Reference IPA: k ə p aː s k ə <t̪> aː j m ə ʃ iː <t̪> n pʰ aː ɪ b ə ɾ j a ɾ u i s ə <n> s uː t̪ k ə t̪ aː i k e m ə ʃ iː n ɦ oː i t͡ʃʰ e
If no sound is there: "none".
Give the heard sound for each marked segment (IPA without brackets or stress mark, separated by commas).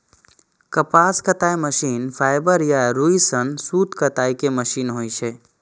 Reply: t̪, none, n